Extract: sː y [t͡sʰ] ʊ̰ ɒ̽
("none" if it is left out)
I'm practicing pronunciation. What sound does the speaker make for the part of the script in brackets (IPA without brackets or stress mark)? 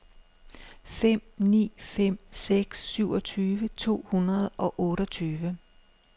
none